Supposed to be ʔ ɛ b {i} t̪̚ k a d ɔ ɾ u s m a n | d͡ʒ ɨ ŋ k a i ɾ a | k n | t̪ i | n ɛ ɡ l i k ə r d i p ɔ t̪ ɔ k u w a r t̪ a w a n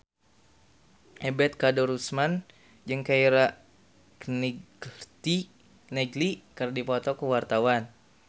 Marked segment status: incorrect: ɛ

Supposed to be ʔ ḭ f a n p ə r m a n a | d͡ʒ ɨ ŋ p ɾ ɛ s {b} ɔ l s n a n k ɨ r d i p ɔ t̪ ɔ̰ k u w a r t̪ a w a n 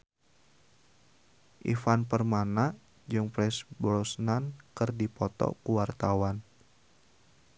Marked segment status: correct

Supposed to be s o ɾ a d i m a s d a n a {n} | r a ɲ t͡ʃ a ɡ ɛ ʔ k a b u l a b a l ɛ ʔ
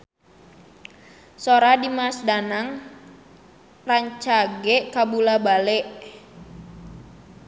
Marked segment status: incorrect: ŋ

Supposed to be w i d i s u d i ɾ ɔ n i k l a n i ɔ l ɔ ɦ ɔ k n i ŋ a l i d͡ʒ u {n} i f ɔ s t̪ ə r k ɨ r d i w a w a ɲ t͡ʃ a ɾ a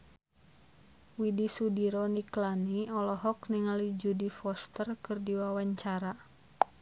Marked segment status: incorrect: d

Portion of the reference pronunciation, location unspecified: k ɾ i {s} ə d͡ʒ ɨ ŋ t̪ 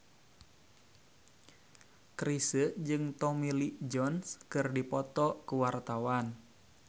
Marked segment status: correct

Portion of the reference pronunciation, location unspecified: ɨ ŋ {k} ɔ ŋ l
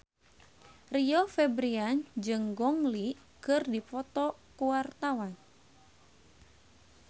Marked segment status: incorrect: ɡ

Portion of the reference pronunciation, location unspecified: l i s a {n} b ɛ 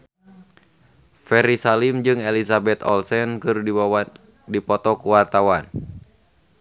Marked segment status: incorrect: none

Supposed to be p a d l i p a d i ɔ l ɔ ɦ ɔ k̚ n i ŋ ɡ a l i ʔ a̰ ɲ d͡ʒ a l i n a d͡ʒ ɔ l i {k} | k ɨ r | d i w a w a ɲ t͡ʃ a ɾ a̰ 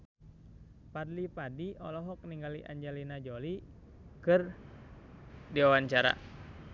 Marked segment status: incorrect: none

